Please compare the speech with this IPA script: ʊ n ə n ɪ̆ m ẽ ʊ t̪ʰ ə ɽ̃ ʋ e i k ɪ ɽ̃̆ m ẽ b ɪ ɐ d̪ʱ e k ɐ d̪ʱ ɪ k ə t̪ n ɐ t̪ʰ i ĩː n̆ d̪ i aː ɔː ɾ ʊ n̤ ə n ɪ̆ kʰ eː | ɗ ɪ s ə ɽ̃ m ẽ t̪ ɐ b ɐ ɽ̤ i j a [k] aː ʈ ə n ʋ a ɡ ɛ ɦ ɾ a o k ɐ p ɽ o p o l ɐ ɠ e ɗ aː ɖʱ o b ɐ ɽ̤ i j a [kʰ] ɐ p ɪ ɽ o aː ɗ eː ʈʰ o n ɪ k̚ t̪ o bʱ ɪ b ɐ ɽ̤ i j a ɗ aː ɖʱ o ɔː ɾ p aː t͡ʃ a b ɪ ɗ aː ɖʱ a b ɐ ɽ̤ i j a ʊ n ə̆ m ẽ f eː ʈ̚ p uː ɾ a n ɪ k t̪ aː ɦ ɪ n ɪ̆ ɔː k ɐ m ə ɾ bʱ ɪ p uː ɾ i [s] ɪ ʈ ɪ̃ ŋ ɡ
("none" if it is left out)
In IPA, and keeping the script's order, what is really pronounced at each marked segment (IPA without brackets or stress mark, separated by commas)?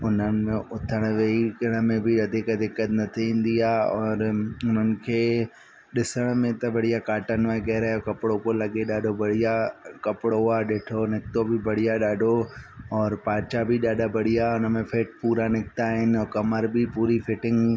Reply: k, k, f